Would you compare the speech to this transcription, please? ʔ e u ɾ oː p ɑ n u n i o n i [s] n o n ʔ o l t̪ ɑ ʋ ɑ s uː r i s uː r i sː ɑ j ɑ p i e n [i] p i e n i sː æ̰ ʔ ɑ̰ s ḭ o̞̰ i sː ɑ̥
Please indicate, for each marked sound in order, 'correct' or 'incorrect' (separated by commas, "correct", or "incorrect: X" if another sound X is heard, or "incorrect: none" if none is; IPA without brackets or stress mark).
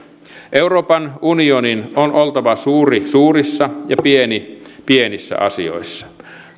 incorrect: none, correct